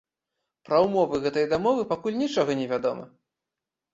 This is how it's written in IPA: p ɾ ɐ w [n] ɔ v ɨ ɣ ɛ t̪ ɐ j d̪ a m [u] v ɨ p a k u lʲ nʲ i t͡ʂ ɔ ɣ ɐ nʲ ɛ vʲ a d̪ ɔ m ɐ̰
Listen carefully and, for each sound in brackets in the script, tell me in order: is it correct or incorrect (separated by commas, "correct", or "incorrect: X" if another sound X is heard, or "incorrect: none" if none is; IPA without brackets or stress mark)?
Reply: incorrect: m, incorrect: ɔ